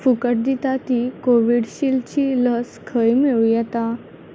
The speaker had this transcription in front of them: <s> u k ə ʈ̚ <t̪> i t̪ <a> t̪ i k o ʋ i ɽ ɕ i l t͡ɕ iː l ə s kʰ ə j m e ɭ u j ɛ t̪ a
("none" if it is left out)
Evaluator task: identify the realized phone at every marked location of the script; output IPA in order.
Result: f, d̪, a

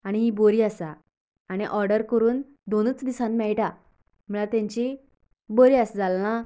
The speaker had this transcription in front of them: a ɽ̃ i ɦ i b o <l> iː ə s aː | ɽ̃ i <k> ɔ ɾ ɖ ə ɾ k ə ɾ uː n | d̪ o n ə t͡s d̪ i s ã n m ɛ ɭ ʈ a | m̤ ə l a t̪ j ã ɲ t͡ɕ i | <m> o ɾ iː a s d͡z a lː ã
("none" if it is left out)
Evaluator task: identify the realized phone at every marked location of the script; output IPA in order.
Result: ɾ, ʔ, b

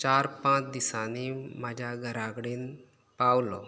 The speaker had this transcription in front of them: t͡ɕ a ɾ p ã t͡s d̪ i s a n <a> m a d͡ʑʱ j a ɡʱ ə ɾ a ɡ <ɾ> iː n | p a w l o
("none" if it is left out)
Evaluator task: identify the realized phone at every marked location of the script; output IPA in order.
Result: i, ɽ

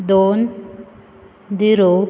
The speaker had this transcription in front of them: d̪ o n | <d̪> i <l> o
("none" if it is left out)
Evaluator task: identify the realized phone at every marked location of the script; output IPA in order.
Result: d̪, ɾ

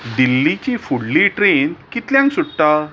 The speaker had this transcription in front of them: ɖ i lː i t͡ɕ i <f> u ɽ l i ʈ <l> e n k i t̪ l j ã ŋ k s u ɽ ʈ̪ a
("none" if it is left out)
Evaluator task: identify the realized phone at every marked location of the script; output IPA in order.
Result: f, ɾ

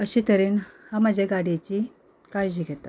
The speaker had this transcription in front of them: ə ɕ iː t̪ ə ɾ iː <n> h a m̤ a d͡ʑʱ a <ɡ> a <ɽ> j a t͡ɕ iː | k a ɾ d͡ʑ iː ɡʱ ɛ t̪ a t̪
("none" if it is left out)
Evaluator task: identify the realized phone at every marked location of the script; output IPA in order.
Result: n, ɡ, ɽ

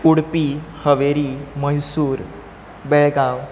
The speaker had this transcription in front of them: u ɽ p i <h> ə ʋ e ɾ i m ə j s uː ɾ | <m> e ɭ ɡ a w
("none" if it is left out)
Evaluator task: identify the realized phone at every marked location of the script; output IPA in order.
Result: h, b

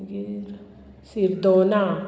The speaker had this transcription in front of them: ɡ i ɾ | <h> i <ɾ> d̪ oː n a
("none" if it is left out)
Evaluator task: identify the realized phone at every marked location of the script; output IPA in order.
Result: s, ɾ

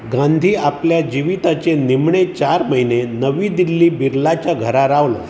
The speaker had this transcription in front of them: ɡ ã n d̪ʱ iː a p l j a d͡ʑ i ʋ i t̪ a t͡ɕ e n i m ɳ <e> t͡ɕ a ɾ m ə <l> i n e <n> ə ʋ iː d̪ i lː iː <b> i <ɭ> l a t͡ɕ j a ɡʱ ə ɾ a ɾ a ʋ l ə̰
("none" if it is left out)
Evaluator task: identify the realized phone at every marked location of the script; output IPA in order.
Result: e, none, n, b, ɾ

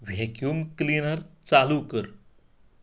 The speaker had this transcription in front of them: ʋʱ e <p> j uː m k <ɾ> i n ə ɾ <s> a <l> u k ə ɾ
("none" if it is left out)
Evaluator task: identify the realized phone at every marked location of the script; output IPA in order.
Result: k, l, t͡s, l

